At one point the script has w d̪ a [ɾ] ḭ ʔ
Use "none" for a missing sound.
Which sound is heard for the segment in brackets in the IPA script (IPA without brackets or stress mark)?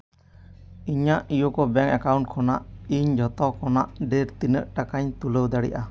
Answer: ɽ